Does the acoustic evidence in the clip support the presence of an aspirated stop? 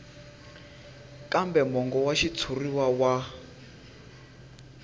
yes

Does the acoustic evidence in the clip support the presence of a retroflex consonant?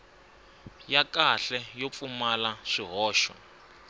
yes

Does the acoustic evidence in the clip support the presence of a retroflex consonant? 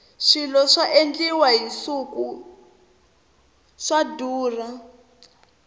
yes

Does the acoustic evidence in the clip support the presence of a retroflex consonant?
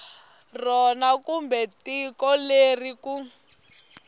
no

